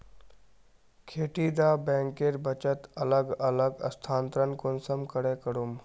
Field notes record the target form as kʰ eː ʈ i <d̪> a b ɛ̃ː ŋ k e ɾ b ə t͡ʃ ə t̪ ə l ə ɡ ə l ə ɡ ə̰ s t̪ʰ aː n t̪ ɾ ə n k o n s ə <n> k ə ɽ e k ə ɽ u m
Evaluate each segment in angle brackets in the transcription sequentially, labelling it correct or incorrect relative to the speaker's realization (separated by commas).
correct, incorrect